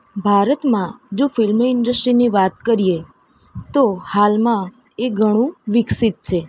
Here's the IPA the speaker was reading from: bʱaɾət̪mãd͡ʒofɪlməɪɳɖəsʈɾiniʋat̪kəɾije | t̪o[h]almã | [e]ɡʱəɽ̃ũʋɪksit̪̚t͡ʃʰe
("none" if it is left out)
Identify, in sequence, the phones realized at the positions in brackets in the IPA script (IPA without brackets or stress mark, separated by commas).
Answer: h, e